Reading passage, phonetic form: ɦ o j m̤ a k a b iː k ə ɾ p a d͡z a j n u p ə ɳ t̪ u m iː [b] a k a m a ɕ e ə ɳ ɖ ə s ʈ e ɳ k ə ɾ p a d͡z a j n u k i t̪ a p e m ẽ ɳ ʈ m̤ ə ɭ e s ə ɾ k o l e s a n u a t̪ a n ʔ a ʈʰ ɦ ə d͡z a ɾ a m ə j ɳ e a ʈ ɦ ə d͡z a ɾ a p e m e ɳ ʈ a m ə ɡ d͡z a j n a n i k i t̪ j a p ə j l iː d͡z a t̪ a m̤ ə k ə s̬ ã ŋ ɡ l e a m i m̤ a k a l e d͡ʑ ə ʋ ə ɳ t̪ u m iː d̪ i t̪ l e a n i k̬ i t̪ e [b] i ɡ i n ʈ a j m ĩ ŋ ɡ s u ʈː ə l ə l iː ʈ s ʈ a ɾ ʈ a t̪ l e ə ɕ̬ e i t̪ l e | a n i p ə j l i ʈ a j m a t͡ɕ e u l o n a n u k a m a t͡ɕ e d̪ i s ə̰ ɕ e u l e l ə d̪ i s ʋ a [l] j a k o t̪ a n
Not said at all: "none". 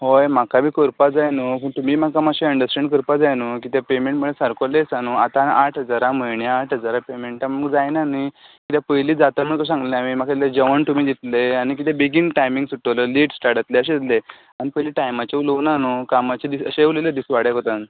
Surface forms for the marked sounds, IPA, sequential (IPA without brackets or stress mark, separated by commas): m, b, ɽ